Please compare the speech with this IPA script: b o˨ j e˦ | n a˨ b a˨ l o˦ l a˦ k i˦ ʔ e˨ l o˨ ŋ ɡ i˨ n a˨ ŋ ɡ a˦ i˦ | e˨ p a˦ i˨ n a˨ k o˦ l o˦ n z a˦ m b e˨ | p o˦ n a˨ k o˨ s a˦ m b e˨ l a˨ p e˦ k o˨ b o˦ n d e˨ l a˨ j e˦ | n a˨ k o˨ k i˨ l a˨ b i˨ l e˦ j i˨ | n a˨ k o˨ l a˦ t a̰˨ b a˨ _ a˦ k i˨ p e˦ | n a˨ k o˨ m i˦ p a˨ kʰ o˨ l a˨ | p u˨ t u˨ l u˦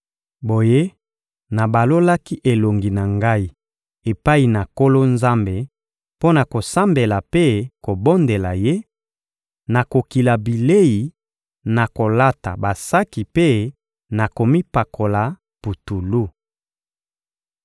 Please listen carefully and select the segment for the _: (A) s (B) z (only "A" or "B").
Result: A